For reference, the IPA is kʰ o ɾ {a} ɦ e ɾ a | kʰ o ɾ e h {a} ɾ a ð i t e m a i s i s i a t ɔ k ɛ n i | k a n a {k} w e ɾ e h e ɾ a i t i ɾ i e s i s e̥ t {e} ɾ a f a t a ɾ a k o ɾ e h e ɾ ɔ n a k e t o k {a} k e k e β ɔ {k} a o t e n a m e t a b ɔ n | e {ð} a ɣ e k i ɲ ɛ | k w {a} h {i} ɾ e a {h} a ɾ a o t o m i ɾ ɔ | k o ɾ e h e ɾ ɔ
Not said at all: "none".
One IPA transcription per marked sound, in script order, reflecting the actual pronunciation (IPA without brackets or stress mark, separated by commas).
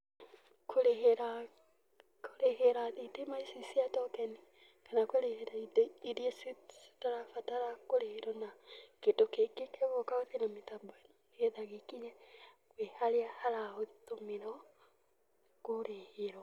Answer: e, e, k, a, e, k, ð, e, a, h